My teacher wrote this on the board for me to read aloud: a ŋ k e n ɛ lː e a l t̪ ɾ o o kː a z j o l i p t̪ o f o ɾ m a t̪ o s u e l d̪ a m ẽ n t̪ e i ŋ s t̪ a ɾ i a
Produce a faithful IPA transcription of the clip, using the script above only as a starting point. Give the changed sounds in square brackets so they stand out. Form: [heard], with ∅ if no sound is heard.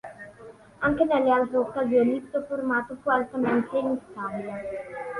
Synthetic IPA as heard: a ŋ k e n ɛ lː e a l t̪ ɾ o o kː a z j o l i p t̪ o f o ɾ m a t̪ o [f] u [a] l [t̪] a m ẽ n t̪ e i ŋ s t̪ a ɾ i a